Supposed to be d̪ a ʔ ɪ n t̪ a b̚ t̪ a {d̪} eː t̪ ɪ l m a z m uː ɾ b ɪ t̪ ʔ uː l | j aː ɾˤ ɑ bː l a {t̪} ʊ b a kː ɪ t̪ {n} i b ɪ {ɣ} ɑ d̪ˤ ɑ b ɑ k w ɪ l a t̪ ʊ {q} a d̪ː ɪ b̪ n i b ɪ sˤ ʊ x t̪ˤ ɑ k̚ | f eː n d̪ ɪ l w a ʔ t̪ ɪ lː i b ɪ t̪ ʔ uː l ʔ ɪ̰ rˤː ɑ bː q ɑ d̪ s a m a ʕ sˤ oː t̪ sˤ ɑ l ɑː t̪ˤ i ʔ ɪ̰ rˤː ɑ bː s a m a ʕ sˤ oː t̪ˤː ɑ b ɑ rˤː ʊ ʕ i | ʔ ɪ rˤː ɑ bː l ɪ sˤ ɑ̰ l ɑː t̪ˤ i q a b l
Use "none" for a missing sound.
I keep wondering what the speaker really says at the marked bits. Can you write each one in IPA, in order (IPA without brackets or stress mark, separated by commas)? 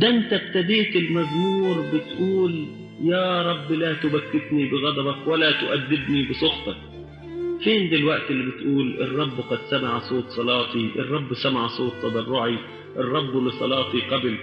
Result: d̪, t̪, n, ɣ, ʔ